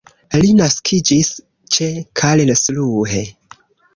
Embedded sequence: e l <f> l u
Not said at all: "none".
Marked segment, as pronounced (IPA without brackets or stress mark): s